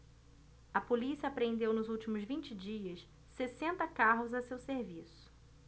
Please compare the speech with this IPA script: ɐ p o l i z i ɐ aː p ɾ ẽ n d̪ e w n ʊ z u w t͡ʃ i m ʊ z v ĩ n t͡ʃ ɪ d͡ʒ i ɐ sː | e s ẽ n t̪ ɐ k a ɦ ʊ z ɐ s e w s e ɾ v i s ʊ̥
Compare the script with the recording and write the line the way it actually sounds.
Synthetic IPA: ɐ p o l i s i ɐ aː p ɾ ẽ n d̪ e w n ʊ z u w t͡ʃ i m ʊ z v ĩ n t͡ʃ ɪ d͡ʒ i ɐ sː | e s ẽ n t̪ ɐ k a ɦ ʊ z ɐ s e w s e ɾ v i s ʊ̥